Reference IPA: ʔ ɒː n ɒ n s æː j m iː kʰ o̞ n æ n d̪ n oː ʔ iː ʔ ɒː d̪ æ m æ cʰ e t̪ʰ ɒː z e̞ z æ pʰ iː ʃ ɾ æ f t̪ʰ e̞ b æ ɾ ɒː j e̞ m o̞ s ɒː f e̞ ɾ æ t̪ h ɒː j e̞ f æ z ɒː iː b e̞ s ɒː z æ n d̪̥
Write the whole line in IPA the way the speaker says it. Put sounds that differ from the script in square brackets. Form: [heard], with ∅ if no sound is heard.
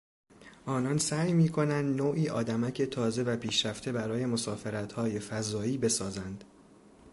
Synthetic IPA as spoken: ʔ ɒː n ɒ n s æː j m iː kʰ o̞ n æ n d̪ n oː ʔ iː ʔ ɒː d̪ æ m æ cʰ e t̪ʰ ɒː z e̞ [v] æ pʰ iː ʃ ɾ æ f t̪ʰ e̞ b æ ɾ ɒː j e̞ m o̞ s ɒː f e̞ ɾ æ t̪ h ɒː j e̞ f æ z ɒː iː b e̞ s ɒː z æ n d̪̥

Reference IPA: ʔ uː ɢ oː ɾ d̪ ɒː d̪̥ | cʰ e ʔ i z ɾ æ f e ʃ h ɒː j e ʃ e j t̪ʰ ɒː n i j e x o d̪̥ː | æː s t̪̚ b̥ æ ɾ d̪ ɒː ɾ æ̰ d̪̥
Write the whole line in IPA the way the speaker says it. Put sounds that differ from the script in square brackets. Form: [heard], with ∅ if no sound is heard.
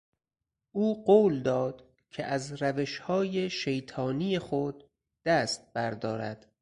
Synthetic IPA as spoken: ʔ uː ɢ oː [l] d̪ ɒː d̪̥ | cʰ e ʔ [æ] z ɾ æ [v] e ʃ h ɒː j e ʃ e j t̪ʰ ɒː n i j e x o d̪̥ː | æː s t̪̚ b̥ æ ɾ d̪ ɒː ɾ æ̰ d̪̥

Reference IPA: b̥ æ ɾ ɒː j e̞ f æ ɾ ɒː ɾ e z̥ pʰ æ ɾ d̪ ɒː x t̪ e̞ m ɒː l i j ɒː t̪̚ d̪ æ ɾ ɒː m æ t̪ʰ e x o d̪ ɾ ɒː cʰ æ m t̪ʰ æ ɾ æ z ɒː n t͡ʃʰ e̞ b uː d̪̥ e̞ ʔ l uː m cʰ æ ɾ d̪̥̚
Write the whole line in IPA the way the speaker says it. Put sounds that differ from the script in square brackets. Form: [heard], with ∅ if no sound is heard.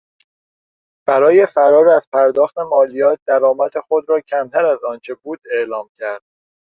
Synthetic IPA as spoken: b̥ æ ɾ ɒː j e̞ f æ ɾ ɒː ɾ [æ] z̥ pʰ æ ɾ d̪ ɒː x t̪ e̞ m ɒː l i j ɒː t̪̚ d̪ æ ɾ ɒː m æ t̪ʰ e x o d̪ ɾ ɒː cʰ æ m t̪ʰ æ ɾ æ z ɒː n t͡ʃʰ e̞ b uː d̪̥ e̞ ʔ l [ɒː] m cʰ æ ɾ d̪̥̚

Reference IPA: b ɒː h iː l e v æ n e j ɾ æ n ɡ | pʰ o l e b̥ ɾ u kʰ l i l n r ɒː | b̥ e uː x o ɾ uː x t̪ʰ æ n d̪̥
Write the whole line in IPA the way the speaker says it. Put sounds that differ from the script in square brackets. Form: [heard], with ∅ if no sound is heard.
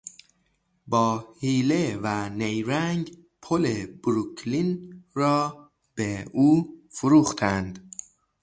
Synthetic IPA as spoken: b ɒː h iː l e v æ n e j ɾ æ [ŋ] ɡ | pʰ o l e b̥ ɾ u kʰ l i [∅] n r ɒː | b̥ e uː [f] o ɾ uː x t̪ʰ æ n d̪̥

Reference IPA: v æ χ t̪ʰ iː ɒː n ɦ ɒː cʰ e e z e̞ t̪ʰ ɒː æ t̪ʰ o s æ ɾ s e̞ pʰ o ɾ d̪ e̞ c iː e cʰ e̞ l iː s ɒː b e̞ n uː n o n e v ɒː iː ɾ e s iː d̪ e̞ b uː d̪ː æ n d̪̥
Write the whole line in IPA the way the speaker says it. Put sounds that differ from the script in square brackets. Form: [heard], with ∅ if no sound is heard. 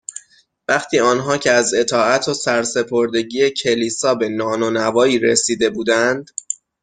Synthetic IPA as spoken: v æ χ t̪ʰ iː ɒː n ɦ ɒː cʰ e [æ] z e̞ t̪ʰ ɒː æ t̪ʰ o s æ ɾ s e̞ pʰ o ɾ d̪ e̞ [ɟ] iː e cʰ e̞ l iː s ɒː b e̞ n [ɒː] n o n [æ] v ɒː iː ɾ e s iː d̪ e̞ b uː [d̪] æ n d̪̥

